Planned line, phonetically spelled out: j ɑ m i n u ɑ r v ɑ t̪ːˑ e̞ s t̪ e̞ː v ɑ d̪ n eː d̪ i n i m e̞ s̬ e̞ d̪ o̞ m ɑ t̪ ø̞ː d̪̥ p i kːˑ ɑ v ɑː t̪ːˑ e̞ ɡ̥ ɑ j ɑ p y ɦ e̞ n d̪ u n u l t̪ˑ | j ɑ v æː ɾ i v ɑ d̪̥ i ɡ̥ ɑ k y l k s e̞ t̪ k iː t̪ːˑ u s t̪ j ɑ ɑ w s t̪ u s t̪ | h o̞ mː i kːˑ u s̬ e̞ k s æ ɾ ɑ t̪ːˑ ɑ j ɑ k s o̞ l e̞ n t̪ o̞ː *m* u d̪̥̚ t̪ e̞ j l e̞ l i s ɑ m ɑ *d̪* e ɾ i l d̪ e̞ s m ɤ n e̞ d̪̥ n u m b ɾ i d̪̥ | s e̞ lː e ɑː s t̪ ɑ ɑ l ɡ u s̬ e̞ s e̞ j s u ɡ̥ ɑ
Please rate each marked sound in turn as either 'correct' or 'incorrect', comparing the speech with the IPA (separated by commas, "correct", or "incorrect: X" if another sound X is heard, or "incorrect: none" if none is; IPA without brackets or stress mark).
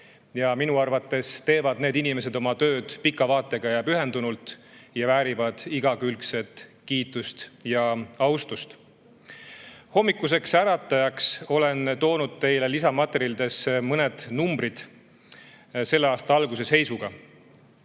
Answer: incorrect: n, incorrect: t̪